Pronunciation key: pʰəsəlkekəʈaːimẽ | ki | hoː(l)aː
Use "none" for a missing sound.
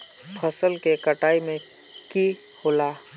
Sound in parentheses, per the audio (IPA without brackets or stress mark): l